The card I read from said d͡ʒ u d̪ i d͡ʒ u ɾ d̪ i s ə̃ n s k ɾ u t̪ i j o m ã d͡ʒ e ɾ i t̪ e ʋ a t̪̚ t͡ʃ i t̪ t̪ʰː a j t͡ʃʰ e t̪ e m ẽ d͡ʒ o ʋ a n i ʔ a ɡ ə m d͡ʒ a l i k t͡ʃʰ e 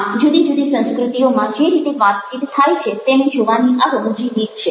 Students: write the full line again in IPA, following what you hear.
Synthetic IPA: d͡ʒ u d̪ i d͡ʒ u d̪ i s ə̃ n s k ɾ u t̪ i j o m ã d͡ʒ e ɾ i t̪ e ʋ a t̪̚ t͡ʃ i t̪ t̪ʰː a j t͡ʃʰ e t̪ e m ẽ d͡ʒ o ʋ a n i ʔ a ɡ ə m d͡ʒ i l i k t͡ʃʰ e

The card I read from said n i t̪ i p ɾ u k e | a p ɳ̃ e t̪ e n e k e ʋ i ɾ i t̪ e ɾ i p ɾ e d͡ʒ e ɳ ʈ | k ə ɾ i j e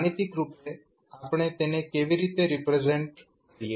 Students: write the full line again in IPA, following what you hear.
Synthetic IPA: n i t̪ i k ɾ u p e | a p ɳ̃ e t̪ e n e k e ʋ i ɾ i t̪ e ɾ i p ɾ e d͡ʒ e ɳ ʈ | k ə ɾ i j e

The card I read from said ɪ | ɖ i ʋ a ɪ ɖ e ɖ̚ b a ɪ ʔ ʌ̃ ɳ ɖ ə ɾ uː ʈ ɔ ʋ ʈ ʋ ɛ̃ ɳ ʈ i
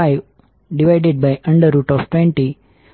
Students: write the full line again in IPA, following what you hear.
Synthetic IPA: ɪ | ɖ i ʋ a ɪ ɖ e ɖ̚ b a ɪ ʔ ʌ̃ ɳ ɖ ə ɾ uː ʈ ɔ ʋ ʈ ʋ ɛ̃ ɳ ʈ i

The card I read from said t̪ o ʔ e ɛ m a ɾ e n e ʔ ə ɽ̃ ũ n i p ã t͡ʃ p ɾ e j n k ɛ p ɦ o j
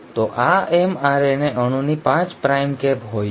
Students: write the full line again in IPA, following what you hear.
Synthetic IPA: t̪ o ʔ a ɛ m a ɾ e n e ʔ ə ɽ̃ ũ n i p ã t͡ʃ p ɾ a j m k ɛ p ɦ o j

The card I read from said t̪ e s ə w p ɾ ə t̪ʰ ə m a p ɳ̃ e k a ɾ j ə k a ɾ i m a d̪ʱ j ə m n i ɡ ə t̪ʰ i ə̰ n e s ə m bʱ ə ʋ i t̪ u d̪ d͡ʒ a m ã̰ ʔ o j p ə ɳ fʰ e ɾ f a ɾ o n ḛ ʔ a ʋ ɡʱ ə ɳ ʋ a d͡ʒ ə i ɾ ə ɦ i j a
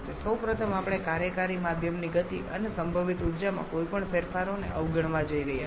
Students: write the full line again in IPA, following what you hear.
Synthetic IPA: t̪ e s ə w p ɾ ə t̪ʰ ə m a p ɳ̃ e k a ɾ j ə k a ɾ i m a d̪ʱ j ə m n i ɡ ə t̪ i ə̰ n e s ə m bʱ ə ʋ i t̪ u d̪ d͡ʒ a m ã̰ k o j p ə ɳ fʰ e ɾ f a ɾ o n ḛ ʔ ə ʋ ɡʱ ə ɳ ʋ a d͡ʒ ə i ɾ ə ɦ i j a

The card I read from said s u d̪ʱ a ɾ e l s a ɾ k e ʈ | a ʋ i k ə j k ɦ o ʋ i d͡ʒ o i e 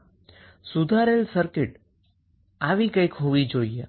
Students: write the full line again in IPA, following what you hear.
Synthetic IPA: s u d̪ʱ a ɾ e l s ə ɾ k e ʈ | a ʋ i k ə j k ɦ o ʋ i d͡ʒ o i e

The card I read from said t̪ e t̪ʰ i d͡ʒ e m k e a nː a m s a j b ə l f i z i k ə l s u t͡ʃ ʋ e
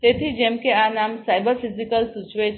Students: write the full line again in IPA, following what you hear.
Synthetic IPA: t̪ e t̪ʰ i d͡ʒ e m k e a n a m s a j b ə ɾ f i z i k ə l s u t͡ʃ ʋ e

